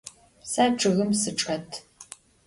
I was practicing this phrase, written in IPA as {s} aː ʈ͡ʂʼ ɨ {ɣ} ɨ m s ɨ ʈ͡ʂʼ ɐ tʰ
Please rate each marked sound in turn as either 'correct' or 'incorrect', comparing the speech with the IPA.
correct, correct

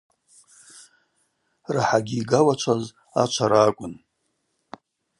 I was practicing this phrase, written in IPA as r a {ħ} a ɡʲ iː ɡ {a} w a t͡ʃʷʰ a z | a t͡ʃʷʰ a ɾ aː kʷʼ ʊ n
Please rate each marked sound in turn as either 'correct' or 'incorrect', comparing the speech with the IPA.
correct, correct

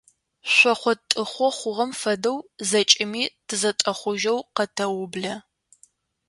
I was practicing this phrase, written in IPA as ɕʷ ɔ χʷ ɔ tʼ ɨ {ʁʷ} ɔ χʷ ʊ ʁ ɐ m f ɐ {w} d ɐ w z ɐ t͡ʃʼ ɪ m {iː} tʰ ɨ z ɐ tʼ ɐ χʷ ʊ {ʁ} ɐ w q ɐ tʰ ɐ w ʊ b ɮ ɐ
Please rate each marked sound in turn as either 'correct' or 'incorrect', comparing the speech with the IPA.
incorrect, incorrect, correct, incorrect

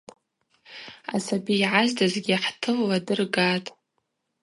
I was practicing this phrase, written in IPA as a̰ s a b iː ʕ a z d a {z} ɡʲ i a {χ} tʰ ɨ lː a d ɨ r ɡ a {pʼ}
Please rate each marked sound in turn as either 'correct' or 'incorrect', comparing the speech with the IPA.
correct, incorrect, incorrect

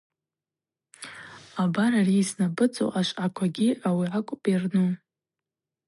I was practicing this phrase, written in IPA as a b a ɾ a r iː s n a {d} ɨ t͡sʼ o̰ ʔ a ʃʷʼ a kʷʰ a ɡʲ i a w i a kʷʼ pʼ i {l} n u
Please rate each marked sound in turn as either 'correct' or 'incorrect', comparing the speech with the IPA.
incorrect, incorrect

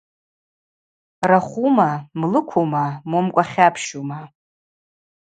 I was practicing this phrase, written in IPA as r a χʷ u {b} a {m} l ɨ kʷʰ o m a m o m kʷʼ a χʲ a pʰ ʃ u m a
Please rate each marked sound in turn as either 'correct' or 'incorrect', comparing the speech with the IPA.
incorrect, correct

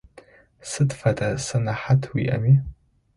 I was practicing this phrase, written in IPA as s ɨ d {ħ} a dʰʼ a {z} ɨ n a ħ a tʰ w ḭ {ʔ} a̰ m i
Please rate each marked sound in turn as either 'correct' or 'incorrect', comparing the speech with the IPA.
incorrect, incorrect, correct

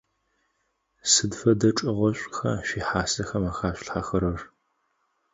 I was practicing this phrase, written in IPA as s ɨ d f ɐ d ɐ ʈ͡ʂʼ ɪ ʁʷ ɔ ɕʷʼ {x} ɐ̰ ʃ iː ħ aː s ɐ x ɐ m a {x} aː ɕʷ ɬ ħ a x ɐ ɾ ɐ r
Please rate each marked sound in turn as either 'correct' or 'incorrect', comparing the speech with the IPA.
correct, correct

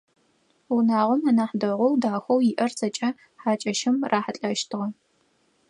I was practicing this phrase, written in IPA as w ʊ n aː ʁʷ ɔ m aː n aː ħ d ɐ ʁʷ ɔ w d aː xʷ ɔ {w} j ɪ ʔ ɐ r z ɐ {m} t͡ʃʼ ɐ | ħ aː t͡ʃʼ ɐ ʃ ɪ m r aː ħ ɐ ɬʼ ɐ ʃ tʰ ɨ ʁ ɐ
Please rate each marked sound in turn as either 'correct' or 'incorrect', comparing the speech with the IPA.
correct, incorrect

